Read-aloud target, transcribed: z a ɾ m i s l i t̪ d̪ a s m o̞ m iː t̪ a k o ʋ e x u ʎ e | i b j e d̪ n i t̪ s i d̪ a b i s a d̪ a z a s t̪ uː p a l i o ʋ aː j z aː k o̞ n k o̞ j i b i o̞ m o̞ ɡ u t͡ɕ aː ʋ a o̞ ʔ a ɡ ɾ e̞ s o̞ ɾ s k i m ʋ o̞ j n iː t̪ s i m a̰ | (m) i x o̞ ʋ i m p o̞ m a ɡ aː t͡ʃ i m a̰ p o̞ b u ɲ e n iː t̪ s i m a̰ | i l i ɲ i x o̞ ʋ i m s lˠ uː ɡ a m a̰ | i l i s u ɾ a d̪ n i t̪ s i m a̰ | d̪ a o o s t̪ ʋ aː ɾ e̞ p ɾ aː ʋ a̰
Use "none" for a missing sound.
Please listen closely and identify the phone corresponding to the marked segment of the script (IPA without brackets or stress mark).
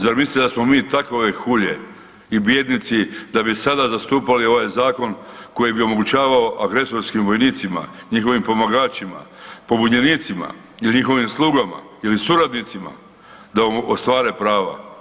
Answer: ɲ